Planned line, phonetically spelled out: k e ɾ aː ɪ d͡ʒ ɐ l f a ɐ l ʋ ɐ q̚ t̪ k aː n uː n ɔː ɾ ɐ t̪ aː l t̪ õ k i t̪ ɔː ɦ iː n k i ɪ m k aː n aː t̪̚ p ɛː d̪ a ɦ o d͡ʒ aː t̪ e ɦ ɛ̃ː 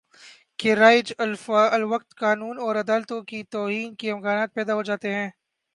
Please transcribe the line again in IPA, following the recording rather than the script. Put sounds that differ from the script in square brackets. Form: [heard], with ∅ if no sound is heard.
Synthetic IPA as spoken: k e ɾ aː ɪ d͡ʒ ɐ l f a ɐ l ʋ ɐ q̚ t̪ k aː n uː n ɔː ɾ ɐ [d̪] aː l t̪ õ k i t̪ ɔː ɦ iː n k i ɪ m k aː n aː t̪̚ p ɛː d̪ a ɦ o d͡ʒ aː t̪ e ɦ ɛ̃ː